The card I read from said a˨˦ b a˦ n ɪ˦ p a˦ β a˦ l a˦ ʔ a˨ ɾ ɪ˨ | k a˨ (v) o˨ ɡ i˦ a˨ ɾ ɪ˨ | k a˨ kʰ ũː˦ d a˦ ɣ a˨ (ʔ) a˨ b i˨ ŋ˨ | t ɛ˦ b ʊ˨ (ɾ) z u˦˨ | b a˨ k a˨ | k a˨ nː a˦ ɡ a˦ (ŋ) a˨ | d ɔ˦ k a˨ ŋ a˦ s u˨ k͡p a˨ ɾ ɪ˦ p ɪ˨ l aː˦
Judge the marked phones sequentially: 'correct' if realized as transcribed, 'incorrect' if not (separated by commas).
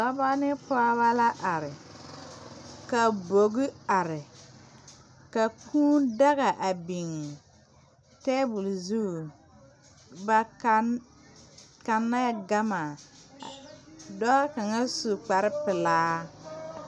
incorrect, correct, incorrect, incorrect